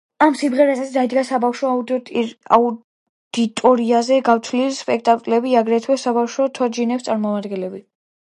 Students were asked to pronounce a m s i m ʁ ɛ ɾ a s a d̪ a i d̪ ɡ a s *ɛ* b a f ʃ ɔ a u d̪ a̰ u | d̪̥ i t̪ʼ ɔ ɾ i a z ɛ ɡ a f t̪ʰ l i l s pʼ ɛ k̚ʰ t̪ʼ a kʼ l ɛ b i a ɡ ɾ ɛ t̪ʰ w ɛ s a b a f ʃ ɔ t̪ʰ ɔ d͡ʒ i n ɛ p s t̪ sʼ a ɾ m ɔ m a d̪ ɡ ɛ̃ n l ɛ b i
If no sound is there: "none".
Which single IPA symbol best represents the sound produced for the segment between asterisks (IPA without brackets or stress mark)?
a